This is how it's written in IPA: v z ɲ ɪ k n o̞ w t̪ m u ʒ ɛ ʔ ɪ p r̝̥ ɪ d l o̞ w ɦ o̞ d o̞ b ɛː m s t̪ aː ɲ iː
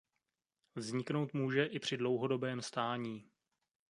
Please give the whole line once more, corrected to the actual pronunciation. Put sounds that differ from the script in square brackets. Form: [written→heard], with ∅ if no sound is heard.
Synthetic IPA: v z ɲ ɪ k n o̞ w t̪ m [u→uː] ʒ ɛ ʔ ɪ p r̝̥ ɪ d l o̞ w ɦ o̞ d o̞ b ɛː m s t̪ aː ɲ iː